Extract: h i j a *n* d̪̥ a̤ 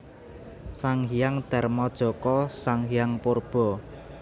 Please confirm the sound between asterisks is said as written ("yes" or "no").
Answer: no